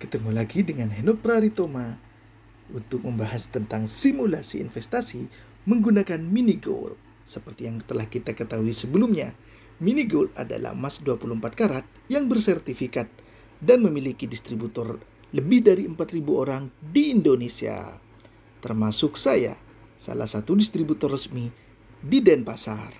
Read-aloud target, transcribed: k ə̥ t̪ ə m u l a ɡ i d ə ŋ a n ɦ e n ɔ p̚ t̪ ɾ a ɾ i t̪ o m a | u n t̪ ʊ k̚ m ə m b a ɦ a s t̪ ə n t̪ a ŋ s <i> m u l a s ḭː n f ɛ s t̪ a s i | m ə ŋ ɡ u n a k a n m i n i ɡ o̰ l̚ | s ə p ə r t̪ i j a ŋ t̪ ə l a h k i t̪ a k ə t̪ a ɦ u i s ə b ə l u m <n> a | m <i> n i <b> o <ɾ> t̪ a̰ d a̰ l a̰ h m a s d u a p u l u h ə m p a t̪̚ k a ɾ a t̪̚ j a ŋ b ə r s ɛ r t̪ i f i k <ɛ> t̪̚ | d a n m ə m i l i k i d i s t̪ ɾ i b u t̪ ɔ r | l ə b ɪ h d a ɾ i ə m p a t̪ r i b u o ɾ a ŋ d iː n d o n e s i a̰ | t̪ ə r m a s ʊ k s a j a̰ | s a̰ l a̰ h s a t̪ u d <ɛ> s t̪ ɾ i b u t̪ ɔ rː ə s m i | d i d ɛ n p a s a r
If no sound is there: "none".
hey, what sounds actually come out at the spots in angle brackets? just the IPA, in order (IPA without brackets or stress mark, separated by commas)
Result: i, ɲ, i, ɡ, l, a, i